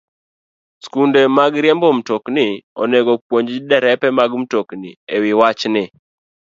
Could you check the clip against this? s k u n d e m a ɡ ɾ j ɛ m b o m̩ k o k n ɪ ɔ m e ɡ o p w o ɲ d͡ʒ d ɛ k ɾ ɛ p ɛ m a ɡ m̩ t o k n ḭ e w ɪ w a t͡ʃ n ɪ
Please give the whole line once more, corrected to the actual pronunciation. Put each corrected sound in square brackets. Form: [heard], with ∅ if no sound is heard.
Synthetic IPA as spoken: s k u n d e m a ɡ ɾ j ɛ m b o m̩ [t] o k n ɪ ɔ [n] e ɡ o p w o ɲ d͡ʒ d ɛ [∅] ɾ ɛ p ɛ m a ɡ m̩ t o k n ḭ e w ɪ w a t͡ʃ n ɪ